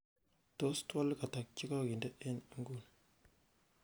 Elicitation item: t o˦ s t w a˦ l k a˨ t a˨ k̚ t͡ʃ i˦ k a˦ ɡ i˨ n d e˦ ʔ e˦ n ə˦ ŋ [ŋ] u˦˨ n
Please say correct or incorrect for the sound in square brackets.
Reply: incorrect: ɡ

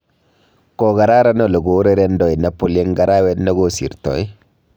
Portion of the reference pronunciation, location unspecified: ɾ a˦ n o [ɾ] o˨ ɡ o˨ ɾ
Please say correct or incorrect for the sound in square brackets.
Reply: incorrect: l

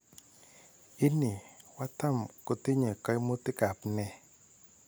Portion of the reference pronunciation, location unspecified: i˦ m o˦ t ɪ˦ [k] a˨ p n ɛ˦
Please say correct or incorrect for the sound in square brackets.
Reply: correct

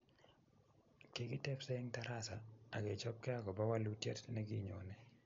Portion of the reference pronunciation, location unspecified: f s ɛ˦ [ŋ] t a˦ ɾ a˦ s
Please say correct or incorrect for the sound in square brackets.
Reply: correct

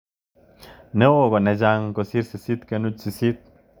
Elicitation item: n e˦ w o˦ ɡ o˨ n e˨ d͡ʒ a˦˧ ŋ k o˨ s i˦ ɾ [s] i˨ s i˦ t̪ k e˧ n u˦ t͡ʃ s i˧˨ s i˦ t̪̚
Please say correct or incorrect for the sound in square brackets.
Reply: correct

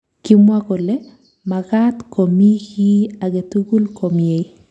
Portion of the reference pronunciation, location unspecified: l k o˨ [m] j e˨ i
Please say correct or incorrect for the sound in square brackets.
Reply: correct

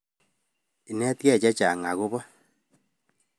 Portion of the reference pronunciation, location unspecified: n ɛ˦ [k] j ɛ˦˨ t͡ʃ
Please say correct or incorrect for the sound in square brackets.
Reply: incorrect: t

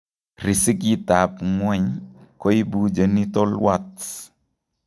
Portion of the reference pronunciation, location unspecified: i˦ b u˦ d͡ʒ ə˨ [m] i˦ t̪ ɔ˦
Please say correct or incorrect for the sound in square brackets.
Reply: incorrect: n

